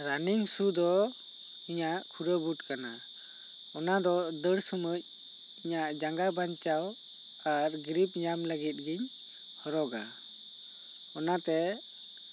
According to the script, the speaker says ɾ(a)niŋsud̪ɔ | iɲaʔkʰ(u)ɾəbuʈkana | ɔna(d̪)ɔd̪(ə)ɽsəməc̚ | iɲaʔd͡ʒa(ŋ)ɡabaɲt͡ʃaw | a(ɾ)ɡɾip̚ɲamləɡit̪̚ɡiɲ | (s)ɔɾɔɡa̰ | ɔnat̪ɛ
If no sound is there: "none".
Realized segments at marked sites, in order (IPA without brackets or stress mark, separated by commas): a, u, d̪, ə, ŋ, ɾ, h